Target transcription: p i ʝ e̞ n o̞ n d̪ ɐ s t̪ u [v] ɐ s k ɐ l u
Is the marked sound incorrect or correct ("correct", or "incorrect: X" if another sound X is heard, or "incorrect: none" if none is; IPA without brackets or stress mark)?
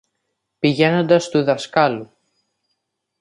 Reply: incorrect: ð